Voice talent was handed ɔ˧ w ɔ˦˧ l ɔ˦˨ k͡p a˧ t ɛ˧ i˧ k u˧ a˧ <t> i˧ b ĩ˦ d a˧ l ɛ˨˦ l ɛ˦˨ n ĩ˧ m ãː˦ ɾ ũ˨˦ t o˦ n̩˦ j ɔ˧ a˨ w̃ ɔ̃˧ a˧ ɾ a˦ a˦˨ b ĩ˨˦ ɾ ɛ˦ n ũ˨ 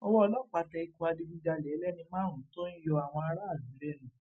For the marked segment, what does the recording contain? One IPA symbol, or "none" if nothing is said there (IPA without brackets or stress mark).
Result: d